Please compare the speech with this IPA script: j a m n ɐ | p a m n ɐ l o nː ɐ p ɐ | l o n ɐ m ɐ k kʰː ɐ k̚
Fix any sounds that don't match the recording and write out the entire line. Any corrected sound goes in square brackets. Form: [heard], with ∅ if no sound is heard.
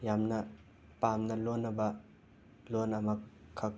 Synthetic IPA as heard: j a m n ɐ | p a m n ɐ l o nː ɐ [b] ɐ | l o n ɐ m ɐ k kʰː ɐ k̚